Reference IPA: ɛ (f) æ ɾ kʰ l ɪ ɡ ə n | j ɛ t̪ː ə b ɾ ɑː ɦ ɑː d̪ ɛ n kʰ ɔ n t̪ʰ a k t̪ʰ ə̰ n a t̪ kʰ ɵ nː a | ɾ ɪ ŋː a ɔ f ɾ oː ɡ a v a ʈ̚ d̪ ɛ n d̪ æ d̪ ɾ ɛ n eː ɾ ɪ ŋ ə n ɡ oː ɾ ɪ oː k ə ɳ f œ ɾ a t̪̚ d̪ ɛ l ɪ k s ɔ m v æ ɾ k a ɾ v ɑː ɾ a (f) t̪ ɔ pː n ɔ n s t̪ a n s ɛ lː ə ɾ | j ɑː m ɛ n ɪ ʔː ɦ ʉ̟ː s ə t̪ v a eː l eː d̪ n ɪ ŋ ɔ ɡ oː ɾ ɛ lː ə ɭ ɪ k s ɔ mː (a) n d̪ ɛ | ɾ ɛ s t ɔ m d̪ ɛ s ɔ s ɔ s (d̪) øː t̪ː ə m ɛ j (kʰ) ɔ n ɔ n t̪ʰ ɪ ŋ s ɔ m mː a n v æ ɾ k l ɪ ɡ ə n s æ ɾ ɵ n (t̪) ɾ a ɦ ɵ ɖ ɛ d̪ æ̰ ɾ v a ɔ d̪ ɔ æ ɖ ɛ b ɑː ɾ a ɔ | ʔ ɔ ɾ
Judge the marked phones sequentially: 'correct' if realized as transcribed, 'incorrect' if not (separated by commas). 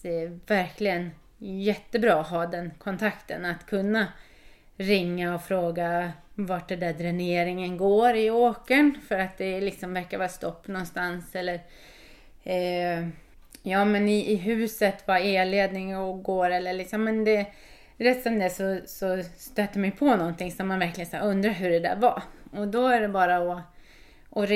incorrect, incorrect, incorrect, incorrect, incorrect, incorrect